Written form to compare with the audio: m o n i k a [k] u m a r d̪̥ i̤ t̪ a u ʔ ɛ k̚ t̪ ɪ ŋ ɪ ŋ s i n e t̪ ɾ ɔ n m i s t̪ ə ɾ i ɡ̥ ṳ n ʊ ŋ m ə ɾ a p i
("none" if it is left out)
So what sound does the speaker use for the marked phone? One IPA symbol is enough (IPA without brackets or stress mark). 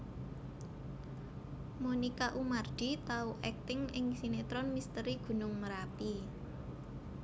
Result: ʔ